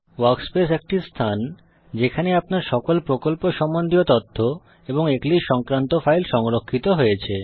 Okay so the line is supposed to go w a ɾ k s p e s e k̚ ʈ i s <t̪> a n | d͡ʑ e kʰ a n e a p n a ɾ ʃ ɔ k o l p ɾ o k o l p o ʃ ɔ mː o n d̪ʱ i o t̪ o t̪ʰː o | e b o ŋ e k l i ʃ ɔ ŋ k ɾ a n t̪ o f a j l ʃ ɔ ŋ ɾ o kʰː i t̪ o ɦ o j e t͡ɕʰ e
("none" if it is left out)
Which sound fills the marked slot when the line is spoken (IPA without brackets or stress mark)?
t̪ʰ